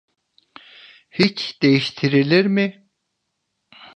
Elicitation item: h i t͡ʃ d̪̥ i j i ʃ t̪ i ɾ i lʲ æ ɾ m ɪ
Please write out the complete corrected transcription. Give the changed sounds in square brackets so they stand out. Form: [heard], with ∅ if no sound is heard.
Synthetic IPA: h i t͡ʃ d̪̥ [e] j i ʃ [t̪ʰ] i ɾ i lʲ [i] ɾ m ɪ

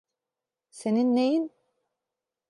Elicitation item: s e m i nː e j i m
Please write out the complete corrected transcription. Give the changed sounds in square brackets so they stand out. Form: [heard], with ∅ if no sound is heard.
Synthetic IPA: s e [n] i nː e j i [n]

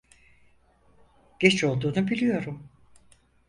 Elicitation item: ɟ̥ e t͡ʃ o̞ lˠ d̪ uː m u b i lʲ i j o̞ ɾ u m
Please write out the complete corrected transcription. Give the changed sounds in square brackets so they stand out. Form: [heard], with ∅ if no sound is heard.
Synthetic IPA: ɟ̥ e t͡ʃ o̞ lˠ d̪ uː [n] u b i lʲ i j o̞ ɾ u m

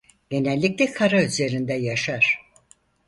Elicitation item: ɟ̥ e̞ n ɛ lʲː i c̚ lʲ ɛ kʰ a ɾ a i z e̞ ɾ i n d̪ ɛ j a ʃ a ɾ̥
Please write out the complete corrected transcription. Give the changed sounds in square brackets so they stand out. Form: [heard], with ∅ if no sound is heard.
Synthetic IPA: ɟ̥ e̞ n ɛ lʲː i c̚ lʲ ɛ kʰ a ɾ a [y] z e̞ ɾ i n d̪ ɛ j a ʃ a ɾ̥

